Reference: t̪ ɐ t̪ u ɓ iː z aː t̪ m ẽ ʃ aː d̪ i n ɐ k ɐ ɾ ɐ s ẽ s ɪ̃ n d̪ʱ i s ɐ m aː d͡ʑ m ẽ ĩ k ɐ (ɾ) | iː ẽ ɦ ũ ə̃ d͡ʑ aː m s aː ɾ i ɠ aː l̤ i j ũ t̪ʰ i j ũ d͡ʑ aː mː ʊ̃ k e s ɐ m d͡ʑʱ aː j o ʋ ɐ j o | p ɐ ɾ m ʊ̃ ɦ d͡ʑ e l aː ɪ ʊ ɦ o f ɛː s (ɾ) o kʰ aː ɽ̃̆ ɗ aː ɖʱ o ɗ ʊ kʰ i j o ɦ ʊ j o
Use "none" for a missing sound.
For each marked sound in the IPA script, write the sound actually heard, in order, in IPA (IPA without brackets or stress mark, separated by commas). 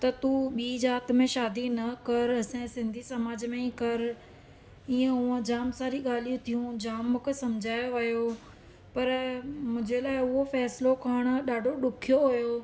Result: ɾ, l